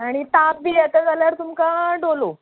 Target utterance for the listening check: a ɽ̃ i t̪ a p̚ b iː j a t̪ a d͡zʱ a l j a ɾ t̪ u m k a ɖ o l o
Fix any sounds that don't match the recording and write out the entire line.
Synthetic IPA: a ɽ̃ i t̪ a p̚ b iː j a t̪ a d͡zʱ a l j a ɾ t̪ u m k a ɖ o l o